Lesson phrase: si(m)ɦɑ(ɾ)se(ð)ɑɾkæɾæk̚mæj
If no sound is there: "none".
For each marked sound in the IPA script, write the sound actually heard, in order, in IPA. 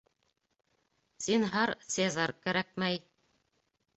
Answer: n, ɾ, z

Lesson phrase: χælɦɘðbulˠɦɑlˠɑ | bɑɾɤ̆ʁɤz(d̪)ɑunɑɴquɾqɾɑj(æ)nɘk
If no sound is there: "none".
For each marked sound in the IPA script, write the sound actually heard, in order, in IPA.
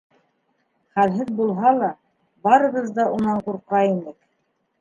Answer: d̪, i

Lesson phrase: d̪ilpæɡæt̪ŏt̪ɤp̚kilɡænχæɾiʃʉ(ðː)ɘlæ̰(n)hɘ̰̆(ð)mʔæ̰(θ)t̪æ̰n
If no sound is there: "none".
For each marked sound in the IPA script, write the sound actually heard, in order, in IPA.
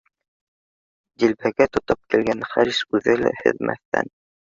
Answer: ð, none, ð, θ

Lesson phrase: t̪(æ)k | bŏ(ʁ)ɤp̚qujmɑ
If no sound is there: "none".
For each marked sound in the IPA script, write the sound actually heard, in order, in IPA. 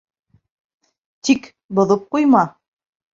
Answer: i, ð

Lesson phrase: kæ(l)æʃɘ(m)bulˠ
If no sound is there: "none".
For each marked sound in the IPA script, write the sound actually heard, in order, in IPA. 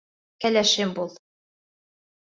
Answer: l, m

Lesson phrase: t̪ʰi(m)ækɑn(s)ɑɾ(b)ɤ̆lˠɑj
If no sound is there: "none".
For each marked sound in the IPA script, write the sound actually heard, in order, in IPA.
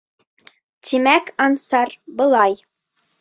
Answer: m, s, b

